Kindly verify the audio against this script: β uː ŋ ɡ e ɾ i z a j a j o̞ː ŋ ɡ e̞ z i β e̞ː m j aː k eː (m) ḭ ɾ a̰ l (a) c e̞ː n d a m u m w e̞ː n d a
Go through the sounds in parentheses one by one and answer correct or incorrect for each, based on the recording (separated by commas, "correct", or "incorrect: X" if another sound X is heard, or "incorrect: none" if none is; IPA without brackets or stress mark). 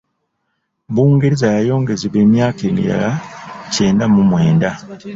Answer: correct, correct